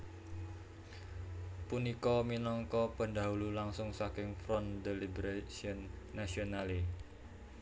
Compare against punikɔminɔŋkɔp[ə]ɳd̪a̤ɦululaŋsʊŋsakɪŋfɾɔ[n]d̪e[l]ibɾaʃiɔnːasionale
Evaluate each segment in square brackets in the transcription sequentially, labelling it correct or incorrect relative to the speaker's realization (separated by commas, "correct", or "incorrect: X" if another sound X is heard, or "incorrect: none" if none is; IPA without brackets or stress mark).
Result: correct, correct, correct